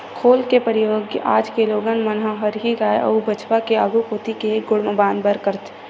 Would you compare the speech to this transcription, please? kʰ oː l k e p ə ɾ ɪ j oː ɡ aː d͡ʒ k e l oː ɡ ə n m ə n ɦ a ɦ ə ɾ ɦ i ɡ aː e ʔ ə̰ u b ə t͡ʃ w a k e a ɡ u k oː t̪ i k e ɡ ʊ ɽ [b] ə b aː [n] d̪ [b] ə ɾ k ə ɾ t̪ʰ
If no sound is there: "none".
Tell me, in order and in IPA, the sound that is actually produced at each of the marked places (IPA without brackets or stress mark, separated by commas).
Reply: m, n, b